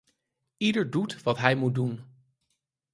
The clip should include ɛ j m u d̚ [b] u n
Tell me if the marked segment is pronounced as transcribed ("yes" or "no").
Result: no